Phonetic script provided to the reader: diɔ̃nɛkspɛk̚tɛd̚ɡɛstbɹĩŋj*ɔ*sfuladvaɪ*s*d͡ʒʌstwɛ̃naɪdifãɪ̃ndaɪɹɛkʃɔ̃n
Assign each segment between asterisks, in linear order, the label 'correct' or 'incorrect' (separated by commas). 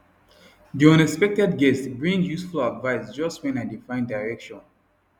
incorrect, correct